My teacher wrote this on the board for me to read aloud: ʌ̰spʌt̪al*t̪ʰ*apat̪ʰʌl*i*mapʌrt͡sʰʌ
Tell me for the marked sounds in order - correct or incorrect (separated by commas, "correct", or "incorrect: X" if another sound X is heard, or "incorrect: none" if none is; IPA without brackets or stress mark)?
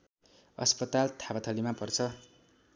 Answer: correct, correct